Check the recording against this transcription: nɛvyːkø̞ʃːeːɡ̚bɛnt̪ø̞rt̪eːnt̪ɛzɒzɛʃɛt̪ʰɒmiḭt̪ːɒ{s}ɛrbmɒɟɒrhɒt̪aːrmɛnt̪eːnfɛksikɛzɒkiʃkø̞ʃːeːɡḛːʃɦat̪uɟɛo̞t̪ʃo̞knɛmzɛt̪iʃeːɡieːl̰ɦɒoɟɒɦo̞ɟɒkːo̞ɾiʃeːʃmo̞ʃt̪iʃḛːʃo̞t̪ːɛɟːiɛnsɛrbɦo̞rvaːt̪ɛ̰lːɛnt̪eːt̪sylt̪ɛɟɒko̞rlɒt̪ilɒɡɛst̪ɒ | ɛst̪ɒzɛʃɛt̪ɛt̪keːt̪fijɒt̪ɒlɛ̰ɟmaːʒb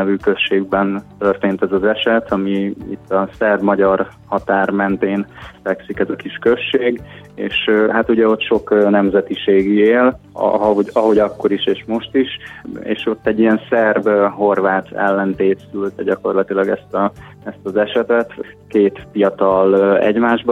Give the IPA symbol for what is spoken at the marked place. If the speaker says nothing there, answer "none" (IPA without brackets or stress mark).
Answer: s